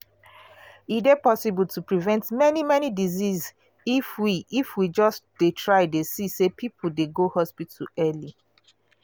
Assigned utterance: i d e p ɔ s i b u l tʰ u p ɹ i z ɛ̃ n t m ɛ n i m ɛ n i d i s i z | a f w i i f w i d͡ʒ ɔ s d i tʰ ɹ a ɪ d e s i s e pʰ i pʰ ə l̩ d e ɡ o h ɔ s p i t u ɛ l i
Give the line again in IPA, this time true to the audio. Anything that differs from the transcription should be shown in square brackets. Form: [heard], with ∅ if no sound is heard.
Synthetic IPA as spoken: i d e p ɔ s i b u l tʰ u p ɹ i [v] ɛ̃ n t m ɛ n i m ɛ n i d i [z] i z | [i] f w i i f w i d͡ʒ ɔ s d [e] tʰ ɹ a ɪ d e s i s e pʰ i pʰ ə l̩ d e ɡ o h ɔ s p i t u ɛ l i